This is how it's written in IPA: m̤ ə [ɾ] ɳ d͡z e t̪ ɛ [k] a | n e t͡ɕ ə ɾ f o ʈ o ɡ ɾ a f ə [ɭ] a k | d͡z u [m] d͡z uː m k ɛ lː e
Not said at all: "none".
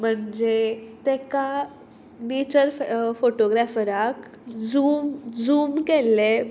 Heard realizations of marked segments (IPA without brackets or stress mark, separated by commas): none, k, ɾ, m